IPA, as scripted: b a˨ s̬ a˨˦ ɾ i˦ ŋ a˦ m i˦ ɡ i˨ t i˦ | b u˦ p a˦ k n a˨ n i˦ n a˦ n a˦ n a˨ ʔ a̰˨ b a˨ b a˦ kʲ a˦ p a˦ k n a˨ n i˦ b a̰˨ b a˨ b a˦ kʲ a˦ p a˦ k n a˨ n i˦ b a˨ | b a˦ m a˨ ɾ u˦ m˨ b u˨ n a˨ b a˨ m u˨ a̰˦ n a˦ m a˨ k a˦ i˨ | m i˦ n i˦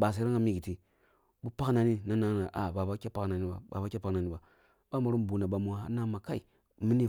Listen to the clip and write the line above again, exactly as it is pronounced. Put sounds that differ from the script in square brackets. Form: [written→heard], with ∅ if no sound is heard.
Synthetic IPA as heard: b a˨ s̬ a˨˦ ɾ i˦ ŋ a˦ m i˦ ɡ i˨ t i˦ | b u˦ p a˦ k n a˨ n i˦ n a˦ n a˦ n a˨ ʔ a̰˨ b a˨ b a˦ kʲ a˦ p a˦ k n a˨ n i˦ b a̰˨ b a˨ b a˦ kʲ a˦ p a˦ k n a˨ n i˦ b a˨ | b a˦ m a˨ ɾ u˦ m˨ b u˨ n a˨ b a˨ m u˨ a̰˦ n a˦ m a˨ k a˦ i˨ | m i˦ n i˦